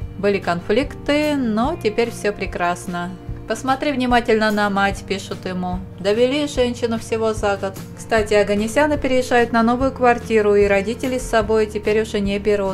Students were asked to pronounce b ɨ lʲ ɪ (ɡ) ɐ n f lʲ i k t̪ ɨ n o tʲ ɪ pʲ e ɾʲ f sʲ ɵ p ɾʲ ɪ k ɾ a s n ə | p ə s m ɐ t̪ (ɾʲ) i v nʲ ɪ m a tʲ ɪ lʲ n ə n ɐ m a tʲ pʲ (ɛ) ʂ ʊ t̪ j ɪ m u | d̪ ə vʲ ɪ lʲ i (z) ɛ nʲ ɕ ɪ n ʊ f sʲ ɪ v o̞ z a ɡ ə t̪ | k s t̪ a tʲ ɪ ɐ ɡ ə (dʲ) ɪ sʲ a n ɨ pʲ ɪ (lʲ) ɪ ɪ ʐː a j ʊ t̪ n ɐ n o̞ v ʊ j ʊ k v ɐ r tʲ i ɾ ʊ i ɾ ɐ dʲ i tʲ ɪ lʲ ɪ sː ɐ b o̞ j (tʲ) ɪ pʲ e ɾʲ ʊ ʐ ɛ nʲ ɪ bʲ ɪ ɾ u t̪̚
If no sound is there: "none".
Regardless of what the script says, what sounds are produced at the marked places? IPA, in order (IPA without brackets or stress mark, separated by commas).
k, ɾʲ, i, ʐ, nʲ, ɾʲ, tʲ